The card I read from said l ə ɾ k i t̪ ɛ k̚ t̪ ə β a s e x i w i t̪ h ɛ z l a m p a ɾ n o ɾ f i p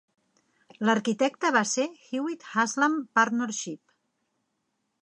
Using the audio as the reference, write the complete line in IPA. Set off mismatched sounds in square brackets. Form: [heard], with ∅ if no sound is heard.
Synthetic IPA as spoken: l ə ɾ k i t̪ ɛ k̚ t̪ ə β a s e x i w i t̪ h [a] z l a m p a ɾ n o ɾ [ʃ] i p